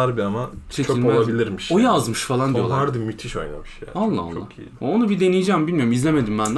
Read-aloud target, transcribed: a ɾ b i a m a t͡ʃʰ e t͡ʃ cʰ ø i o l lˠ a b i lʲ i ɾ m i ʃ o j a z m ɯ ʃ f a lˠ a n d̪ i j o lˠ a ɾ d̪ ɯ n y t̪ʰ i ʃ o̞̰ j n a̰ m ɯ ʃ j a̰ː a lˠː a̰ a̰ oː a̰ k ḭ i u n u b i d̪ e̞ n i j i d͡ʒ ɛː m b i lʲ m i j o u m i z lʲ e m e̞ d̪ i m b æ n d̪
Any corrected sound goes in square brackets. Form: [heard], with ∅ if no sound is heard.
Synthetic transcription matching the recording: a ɾ b i a m a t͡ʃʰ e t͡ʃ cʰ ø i o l lˠ a b i lʲ i ɾ m i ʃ o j a z m ɯ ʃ f a lˠ a n d̪ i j o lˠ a ɾ d̪ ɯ [m] y t̪ʰ i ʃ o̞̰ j n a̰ m ɯ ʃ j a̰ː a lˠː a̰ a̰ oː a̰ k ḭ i [o] n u b i d̪ e̞ n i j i d͡ʒ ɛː m b i lʲ m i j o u m i z lʲ e m e̞ d̪ i m b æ n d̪